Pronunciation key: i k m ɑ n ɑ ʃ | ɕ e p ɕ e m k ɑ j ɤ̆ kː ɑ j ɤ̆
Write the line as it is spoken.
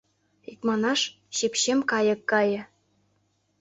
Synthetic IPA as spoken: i k m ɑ n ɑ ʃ | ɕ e p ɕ e m k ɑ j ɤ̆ kː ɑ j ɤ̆